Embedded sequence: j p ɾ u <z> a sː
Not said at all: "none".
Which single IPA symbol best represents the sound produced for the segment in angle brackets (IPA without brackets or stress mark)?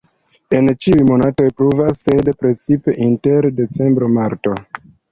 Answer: v